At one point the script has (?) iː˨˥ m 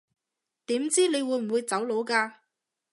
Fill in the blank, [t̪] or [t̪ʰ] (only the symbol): t̪